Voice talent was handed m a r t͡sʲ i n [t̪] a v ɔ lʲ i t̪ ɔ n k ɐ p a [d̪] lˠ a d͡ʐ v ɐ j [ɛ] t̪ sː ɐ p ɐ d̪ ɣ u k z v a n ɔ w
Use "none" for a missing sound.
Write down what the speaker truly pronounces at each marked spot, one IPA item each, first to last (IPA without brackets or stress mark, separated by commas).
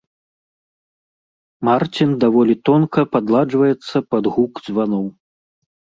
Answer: d̪, d̪, ɛ